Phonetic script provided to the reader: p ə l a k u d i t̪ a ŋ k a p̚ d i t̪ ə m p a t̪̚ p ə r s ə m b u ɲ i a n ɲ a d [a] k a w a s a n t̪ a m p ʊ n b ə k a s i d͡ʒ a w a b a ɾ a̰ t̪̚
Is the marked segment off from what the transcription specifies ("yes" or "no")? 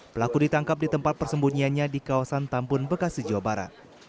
yes